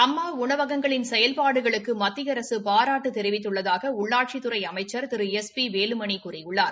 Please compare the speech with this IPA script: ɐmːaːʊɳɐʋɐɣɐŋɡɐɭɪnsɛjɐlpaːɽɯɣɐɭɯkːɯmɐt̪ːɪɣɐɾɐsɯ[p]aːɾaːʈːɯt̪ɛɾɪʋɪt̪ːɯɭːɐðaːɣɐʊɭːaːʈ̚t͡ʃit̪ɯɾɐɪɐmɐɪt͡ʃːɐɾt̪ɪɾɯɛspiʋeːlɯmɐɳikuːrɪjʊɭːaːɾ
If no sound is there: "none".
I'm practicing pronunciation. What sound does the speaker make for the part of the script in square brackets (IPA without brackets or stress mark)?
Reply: p